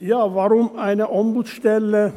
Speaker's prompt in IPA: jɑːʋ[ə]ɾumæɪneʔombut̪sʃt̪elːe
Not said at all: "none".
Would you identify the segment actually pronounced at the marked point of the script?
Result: ɑ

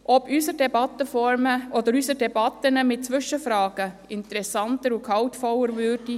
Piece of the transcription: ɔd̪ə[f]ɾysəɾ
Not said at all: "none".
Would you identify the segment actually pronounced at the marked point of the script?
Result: none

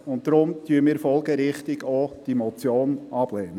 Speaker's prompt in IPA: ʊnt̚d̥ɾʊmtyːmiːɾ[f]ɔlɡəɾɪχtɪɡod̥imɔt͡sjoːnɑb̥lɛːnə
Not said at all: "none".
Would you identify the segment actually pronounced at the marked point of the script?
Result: f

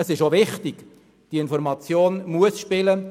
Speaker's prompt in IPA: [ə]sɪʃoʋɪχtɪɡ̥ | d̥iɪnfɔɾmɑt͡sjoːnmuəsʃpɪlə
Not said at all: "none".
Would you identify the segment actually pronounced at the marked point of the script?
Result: ə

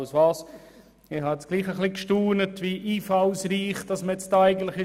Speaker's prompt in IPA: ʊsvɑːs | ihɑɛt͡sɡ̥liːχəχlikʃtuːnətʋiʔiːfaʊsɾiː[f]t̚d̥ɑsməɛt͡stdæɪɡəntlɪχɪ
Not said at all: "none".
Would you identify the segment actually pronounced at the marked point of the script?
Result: χ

